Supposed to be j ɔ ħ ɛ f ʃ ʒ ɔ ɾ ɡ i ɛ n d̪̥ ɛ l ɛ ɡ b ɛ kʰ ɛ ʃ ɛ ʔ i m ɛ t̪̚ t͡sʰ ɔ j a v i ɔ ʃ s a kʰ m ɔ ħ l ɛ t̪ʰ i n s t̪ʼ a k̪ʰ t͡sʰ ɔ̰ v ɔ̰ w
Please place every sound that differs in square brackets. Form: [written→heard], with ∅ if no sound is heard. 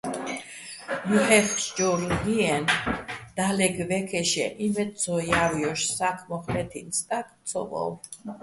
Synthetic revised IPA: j [ɔ→u] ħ ɛ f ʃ [ʒ→d͡ʒ] ɔ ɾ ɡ i ɛ n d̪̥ [ɛ→a] l ɛ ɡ [b→v] ɛ kʰ ɛ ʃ ɛ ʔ i m ɛ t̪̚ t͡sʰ ɔ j a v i ɔ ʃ s a kʰ m ɔ [ħ→χ] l ɛ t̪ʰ i n s t̪ʼ a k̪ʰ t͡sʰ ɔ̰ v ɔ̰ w